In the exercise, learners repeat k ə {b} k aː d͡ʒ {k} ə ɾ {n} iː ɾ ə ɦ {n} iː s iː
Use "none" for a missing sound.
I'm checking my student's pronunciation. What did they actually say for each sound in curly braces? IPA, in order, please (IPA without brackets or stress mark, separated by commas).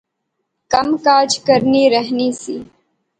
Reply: m, k, n, n